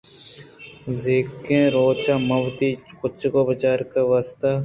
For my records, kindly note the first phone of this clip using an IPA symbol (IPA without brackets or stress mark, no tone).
z